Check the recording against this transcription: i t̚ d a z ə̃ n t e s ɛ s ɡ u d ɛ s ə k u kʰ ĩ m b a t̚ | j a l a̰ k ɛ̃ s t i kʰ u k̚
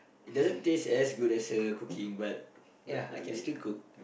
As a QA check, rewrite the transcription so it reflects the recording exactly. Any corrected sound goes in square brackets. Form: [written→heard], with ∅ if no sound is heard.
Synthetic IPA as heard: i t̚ d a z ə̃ n t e s ɛ s ɡ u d ɛ s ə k u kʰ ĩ [m→ŋ] b a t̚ | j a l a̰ k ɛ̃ s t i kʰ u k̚